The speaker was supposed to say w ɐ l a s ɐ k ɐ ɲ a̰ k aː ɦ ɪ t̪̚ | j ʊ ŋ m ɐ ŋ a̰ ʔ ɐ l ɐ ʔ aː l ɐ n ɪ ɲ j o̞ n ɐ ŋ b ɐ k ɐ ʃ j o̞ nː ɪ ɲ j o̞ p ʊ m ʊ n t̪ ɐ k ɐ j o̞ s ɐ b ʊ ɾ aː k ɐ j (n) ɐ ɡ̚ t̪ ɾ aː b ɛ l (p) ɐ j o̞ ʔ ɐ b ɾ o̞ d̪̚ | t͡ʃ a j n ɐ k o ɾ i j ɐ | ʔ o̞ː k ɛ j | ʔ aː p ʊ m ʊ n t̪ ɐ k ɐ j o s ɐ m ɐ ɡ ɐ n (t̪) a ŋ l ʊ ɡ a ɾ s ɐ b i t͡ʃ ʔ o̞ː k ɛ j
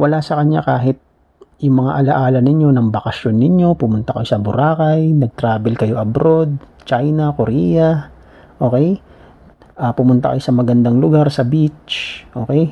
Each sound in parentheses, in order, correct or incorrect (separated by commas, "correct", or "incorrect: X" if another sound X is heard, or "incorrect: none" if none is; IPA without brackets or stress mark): correct, incorrect: k, incorrect: d̪